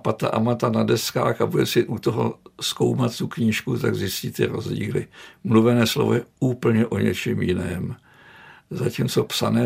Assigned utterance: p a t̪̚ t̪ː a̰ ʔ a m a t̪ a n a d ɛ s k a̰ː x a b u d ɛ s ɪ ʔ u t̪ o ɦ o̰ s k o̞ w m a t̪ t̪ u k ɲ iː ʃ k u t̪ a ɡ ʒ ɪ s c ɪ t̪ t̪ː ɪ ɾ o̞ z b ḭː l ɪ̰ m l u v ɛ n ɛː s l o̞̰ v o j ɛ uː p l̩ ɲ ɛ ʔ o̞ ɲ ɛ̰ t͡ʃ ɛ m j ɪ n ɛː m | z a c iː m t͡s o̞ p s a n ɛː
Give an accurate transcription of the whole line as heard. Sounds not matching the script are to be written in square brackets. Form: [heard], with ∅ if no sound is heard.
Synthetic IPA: p a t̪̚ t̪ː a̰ ʔ a m a t̪ a n a d ɛ s k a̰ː x a b u d ɛ s ɪ ʔ u t̪ o ɦ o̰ s k o̞ w m a t̪ t̪ u k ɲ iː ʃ k u t̪ a ɡ [z] ɪ s c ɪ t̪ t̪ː ɪ ɾ o̞ z [ɟ] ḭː l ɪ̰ m l u v ɛ n ɛː s l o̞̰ v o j ɛ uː p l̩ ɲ ɛ ʔ o̞ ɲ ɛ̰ t͡ʃ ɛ m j ɪ n ɛː m | z a c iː m t͡s o̞ p s a n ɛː